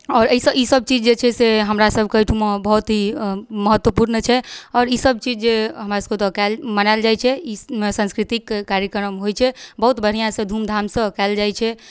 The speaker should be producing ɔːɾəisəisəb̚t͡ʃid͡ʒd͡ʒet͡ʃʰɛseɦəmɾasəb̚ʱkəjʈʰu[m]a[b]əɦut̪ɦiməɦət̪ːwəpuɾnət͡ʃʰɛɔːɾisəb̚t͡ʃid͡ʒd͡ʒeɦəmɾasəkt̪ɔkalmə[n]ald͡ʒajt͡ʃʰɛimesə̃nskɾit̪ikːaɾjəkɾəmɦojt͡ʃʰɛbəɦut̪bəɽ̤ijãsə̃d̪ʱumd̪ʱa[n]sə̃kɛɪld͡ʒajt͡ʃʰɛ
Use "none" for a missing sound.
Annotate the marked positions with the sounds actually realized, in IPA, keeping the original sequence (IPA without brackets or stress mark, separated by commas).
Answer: m, b, n, m